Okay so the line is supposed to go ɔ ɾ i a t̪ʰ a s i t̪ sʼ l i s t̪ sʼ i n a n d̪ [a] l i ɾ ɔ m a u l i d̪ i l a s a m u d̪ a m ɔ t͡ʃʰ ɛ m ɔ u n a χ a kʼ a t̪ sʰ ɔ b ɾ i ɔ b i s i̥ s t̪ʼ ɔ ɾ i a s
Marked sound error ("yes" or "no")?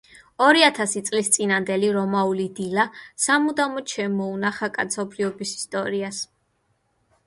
yes